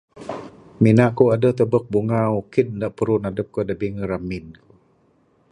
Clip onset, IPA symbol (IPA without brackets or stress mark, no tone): m